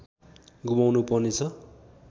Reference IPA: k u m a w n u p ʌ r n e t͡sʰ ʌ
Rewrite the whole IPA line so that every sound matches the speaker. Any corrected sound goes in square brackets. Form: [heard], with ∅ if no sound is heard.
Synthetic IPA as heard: [ɡ] u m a w n u p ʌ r n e t͡sʰ ʌ